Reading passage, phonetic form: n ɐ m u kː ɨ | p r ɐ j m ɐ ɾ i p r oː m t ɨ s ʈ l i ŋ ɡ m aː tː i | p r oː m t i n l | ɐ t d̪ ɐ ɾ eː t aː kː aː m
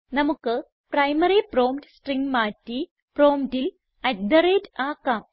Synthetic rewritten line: n ɐ m u kː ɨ | p r ɐ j m ɐ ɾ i p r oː m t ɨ s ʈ r i ŋ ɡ m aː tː i | p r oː m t i l | ɐ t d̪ ɐ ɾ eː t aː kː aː m